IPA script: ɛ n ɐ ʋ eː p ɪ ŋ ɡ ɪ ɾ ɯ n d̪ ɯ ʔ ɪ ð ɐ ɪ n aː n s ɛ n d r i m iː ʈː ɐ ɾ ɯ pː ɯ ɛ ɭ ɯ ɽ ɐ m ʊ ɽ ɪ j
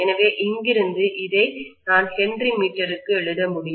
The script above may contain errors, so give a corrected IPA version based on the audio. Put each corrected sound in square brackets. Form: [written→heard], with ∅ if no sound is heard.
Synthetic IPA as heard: ɛ n ɐ ʋ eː [p→ʔ] ɪ ŋ ɡ ɪ ɾ ɯ n d̪ ɯ ʔ ɪ ð ɐ ɪ n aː n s ɛ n d r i m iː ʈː ɐ ɾ ɯ [pː→kː] ɯ ɛ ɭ ɯ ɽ ɐ m ʊ ɽ ɪ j